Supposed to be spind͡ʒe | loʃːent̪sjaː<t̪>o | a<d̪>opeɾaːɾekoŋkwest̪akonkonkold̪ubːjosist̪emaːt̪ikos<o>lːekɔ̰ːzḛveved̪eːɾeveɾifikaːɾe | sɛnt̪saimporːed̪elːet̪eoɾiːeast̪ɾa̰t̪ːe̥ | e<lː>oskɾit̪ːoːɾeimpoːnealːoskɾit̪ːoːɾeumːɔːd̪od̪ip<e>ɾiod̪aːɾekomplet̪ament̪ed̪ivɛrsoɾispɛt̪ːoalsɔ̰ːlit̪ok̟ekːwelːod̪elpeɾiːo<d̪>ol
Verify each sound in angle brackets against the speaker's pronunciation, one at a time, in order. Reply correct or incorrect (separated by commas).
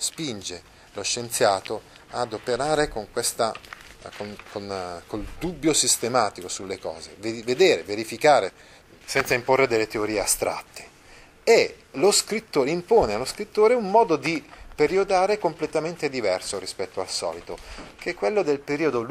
correct, correct, incorrect, incorrect, correct, correct